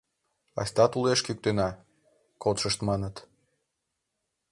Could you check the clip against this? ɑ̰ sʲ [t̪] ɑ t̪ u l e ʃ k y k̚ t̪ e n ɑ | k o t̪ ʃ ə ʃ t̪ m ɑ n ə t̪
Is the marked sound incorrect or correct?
correct